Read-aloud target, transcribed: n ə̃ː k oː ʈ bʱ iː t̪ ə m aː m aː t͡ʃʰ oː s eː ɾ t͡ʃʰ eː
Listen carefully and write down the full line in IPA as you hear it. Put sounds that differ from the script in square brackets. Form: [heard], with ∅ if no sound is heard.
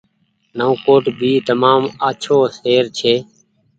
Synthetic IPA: n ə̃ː k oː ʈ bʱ iː t̪ ə m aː m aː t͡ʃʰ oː s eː ɾ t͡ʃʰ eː